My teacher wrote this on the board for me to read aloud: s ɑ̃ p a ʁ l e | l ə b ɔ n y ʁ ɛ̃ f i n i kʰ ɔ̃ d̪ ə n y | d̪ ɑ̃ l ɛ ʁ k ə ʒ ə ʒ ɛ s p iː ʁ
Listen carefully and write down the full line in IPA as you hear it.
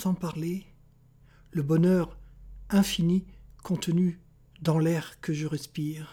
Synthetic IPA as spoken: s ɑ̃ p a ʁ l e | l ə b ɔ n œ ʁ ɛ̃ f i n i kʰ ɔ̃ t̪ ə n y | d̪ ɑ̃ l ɛ ʁ k ə ʒ ə ʁ ɛ s p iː ʁ